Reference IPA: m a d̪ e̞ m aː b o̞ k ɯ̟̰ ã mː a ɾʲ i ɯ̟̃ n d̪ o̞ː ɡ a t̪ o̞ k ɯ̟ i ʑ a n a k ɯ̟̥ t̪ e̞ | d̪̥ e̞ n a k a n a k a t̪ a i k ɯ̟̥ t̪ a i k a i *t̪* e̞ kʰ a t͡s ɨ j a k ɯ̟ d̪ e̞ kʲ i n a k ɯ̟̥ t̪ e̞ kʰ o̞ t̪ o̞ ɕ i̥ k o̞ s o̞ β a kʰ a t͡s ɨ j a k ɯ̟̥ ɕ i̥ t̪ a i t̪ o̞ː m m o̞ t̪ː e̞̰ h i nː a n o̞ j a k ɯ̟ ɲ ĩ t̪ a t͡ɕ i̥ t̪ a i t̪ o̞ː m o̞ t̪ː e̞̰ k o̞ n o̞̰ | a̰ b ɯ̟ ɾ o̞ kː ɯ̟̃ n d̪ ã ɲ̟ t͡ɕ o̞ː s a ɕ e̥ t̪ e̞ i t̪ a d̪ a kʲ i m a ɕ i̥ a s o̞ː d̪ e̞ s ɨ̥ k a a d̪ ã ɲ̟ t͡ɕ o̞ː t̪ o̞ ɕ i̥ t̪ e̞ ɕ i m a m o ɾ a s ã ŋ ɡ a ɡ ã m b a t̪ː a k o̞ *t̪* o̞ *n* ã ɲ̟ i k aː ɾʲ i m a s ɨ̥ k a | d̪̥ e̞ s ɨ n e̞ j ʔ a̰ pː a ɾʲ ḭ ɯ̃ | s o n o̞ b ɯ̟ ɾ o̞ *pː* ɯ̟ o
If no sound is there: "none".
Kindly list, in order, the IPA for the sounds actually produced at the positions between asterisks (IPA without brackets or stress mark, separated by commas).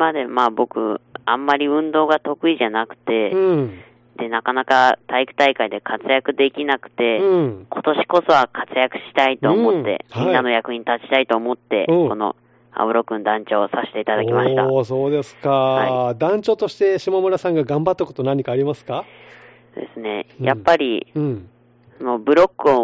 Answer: d̪, t̪, n, kː